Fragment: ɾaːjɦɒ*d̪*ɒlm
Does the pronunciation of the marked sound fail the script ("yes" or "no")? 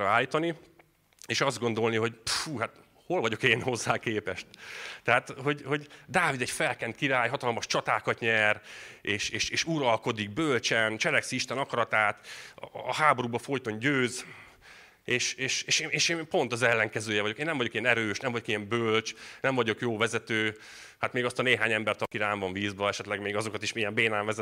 yes